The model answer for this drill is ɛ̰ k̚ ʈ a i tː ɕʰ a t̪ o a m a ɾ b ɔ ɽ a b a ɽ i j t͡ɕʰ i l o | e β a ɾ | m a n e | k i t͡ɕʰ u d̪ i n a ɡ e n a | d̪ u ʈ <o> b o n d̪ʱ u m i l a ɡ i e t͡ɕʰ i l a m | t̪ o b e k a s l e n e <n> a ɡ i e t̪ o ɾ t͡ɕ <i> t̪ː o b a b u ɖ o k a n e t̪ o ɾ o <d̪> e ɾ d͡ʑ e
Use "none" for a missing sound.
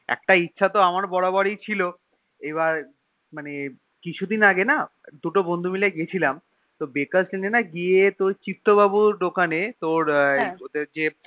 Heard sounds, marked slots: o, n, i, d̪

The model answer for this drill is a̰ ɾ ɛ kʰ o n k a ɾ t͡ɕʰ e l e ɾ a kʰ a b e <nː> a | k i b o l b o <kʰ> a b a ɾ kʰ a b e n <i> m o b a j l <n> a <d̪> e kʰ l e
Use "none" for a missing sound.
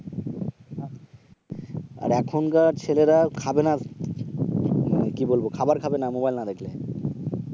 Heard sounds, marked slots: n, kʰ, a, n, d̪

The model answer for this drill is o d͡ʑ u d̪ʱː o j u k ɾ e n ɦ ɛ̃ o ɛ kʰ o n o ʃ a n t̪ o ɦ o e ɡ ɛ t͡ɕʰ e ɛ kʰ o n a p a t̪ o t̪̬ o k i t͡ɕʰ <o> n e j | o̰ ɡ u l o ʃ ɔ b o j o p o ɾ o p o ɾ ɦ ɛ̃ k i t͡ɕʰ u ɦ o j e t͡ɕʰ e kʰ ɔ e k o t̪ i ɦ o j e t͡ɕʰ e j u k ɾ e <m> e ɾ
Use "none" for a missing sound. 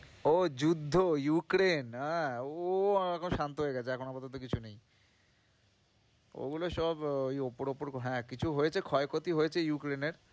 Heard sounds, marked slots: u, n

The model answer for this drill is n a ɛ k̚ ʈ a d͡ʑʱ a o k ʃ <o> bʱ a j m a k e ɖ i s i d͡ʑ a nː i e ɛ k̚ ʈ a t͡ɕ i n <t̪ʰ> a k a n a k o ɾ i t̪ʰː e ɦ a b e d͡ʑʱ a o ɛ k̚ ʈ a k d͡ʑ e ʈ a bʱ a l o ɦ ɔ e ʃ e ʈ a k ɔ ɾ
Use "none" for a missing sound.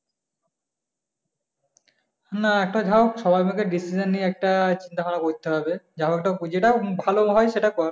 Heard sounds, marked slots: ɔ, t̪

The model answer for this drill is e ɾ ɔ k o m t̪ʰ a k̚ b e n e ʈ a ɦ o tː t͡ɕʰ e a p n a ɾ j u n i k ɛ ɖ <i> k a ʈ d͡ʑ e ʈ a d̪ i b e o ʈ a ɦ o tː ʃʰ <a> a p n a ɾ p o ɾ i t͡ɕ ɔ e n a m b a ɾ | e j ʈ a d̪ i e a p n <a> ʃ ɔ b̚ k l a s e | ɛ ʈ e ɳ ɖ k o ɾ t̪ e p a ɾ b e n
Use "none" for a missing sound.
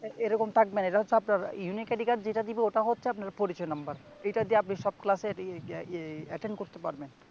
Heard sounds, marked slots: i, e, i

